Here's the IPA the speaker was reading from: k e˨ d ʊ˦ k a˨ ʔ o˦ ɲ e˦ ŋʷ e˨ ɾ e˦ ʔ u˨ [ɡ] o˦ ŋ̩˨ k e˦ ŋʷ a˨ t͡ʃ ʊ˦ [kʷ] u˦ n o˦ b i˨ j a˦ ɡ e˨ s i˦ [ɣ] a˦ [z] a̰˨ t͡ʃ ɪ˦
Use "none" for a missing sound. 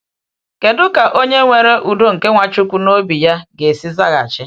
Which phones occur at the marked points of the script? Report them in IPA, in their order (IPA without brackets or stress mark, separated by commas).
d, kʷ, z, ɣ